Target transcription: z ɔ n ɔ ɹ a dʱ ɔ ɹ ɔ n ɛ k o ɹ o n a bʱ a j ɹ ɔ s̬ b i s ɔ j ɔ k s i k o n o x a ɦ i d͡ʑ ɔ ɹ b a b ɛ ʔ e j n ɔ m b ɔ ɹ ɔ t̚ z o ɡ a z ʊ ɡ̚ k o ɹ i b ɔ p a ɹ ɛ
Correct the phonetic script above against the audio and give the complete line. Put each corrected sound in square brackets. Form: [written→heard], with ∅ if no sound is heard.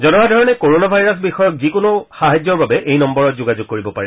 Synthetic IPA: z ɔ n ɔ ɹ a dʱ ɔ ɹ ɔ n ɛ k o ɹ o n a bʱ a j ɹ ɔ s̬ b i [s→x] ɔ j ɔ k [s→z] i k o n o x a ɦ [i→a] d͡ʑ ɔ ɹ b a b ɛ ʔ e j n ɔ m b ɔ ɹ ɔ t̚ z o ɡ a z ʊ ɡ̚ k o ɹ i b ɔ p a ɹ ɛ